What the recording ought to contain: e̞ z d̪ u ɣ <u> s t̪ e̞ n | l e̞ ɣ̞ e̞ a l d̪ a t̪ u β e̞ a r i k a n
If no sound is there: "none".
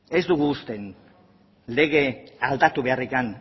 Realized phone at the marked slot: uː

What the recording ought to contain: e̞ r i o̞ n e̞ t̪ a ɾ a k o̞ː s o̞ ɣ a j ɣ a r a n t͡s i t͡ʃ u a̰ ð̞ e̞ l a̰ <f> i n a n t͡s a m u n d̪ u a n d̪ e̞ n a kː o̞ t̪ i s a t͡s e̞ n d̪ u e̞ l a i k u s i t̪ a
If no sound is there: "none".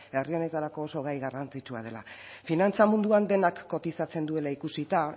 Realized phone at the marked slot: f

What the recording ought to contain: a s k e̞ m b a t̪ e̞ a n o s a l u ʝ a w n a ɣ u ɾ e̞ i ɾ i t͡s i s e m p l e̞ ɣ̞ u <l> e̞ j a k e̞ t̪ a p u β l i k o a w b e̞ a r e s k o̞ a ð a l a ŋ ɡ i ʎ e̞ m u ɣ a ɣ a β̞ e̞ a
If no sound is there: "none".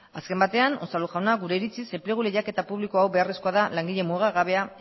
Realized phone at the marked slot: l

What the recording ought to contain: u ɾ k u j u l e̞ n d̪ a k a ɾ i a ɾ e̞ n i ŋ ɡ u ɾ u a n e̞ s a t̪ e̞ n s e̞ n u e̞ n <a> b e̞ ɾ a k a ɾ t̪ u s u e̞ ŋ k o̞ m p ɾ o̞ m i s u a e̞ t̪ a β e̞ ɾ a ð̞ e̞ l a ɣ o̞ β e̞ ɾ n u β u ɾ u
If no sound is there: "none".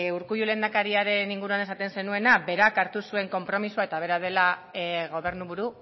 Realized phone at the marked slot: a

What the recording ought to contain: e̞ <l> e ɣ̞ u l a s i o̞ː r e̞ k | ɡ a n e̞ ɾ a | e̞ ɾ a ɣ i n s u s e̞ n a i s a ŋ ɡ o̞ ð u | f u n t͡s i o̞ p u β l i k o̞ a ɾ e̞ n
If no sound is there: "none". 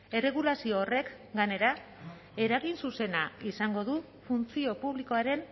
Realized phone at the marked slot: r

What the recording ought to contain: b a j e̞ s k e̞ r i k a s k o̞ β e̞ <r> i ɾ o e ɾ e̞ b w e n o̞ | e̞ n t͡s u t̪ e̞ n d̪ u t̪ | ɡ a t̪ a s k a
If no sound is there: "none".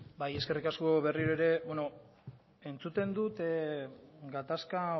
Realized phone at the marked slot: r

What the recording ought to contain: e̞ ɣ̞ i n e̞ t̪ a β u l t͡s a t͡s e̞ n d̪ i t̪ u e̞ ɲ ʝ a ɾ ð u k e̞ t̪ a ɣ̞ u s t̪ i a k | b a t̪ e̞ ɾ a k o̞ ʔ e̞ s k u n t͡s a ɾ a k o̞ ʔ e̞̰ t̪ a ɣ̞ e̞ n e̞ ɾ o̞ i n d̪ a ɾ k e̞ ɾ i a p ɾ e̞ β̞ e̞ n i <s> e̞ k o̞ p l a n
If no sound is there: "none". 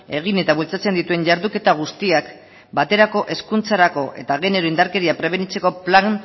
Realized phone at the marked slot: t͡s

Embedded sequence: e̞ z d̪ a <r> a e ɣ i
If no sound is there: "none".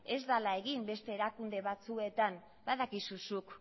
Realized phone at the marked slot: l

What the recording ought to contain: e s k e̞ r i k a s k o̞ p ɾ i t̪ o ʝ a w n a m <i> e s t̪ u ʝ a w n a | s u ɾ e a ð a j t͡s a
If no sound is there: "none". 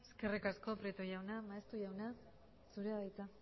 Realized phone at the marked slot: a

